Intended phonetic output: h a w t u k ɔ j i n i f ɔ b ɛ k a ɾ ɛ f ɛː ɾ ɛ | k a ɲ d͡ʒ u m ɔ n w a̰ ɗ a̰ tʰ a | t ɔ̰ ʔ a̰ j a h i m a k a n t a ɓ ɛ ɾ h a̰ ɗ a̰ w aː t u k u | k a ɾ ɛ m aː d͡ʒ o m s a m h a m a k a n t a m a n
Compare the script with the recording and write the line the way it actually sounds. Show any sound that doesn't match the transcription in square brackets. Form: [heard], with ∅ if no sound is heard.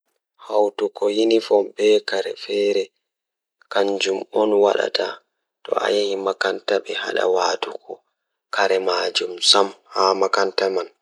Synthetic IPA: h a w t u k ɔ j i n i f ɔ b ɛ k a ɾ ɛ f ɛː ɾ ɛ | k a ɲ d͡ʒ u m ɔ n w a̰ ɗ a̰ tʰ a | t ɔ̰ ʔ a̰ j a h i m a k a n t a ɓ ɛ [∅] h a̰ ɗ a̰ w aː t u k [ɔ] | k a ɾ ɛ m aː d͡ʒ [u] m s a m h a m a k a n t a m a n